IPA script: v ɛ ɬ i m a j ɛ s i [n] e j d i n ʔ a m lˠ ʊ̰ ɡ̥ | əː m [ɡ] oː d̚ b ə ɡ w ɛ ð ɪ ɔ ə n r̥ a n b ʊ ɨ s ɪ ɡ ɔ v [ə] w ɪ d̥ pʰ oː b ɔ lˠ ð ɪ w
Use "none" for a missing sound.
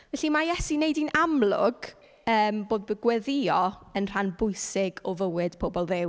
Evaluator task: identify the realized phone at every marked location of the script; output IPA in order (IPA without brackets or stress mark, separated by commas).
n, b, ə